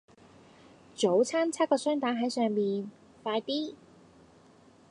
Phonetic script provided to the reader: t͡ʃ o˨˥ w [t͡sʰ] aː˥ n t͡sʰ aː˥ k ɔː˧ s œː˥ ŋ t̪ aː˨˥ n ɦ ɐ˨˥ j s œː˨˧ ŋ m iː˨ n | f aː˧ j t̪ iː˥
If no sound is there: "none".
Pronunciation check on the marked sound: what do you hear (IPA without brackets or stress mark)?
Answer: t͡sʰ